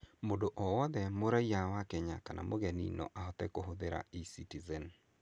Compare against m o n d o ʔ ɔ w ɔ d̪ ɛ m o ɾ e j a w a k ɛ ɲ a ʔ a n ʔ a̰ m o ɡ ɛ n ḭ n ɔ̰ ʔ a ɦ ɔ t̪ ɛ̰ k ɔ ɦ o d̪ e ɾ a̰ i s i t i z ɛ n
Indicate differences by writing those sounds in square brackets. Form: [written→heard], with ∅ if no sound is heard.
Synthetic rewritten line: m o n d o ʔ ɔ w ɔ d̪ ɛ m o ɾ [e→a] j a w a k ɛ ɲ a [ʔ→k] a n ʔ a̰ m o ɡ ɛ n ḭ n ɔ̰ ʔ a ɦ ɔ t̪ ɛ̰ k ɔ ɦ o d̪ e ɾ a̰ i s i t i z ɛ n